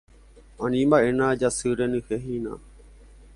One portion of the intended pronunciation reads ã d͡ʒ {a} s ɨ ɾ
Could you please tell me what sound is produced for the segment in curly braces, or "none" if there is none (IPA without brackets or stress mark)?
a